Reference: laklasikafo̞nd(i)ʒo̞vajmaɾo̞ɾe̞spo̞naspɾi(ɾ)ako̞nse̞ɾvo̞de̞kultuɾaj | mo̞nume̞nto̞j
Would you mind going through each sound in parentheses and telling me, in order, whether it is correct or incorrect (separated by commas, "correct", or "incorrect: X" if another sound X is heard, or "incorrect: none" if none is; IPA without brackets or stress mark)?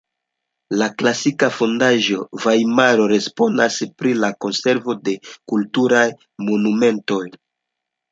incorrect: a, incorrect: l